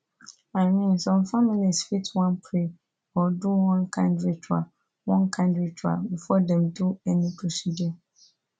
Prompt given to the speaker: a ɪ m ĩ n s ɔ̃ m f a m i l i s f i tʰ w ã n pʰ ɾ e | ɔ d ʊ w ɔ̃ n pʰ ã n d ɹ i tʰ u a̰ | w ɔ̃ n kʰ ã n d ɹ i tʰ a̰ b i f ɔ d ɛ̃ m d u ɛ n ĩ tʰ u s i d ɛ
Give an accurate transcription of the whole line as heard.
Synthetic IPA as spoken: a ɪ m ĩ n s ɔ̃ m f a m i l i s f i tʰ w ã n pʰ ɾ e | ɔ d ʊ w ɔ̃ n kʰ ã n d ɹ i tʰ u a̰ | w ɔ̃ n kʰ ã n d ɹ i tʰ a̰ b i f ɔ d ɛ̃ m d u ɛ n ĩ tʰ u s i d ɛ